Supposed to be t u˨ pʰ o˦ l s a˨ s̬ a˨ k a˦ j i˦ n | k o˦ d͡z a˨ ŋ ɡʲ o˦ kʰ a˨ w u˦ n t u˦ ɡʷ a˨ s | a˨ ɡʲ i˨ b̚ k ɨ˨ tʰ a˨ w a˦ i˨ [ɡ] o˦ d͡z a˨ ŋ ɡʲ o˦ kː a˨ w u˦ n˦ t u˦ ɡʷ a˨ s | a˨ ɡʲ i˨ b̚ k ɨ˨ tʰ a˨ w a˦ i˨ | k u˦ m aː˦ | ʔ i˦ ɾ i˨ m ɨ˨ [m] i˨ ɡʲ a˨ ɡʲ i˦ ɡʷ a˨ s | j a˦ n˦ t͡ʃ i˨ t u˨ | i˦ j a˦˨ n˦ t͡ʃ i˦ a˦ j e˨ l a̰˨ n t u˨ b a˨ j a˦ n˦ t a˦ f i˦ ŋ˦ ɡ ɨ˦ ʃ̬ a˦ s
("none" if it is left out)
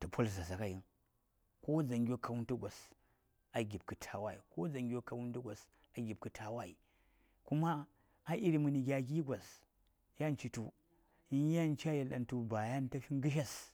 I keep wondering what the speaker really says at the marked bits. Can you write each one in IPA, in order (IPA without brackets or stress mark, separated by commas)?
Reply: k, n